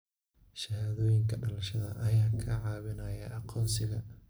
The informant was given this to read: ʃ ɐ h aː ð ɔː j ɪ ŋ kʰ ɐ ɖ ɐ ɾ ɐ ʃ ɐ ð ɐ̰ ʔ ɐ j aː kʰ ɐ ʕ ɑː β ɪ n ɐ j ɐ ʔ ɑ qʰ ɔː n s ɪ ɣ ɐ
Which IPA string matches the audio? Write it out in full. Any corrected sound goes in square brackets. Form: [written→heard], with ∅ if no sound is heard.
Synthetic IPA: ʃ ɐ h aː ð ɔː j ɪ ŋ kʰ ɐ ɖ ɐ [ɾ→l] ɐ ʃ ɐ ð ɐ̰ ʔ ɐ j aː kʰ ɐ ʕ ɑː β ɪ n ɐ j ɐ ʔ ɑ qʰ ɔː n s ɪ ɣ ɐ